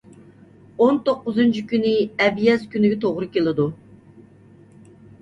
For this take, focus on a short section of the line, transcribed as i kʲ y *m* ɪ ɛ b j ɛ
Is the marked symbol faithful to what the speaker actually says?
no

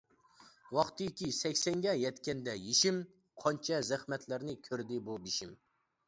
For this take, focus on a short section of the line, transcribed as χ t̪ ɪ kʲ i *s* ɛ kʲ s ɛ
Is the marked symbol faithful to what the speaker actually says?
yes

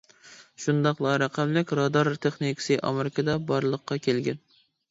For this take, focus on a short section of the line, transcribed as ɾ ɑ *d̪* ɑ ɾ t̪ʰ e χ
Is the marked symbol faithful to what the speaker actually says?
yes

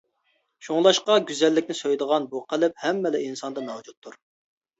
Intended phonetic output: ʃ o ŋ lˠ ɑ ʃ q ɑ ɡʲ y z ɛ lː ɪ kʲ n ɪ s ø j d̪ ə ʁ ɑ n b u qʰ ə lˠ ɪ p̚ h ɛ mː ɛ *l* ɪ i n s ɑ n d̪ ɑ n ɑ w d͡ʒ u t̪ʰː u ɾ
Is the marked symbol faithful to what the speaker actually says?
yes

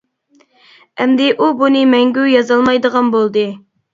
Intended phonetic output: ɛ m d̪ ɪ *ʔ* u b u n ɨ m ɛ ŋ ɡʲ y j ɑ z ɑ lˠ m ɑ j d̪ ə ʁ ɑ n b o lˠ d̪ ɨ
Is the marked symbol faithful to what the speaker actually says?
yes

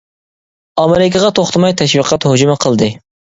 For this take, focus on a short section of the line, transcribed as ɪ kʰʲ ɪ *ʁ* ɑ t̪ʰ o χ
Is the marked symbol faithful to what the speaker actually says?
yes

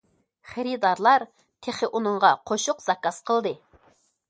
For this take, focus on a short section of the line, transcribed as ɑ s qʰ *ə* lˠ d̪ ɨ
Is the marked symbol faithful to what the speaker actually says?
yes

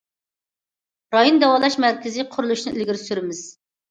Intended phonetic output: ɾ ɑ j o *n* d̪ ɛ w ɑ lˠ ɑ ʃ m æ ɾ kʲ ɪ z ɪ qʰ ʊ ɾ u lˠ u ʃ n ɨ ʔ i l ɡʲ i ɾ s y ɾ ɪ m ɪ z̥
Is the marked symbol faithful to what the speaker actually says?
yes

